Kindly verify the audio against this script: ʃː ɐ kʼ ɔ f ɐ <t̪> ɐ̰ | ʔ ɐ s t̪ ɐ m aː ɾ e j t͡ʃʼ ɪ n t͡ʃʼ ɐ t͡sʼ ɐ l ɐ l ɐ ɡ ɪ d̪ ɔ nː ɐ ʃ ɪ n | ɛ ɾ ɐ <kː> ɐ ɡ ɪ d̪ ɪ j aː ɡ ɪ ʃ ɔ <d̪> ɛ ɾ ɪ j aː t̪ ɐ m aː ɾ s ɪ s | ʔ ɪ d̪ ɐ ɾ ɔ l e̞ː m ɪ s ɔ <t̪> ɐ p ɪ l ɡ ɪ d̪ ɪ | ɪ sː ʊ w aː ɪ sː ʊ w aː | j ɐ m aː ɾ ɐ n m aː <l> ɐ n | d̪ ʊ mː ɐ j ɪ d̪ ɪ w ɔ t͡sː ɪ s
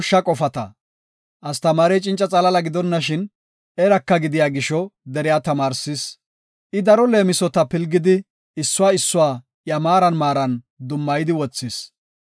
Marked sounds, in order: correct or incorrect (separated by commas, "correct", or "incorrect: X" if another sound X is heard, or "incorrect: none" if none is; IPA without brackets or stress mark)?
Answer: correct, correct, correct, correct, incorrect: ɾ